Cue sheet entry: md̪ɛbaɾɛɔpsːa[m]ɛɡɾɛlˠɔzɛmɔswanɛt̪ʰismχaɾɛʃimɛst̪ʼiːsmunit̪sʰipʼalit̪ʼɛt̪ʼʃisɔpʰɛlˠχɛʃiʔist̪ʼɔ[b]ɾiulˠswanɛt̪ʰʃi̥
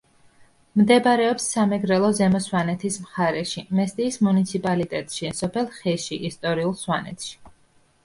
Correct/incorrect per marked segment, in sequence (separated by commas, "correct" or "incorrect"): correct, incorrect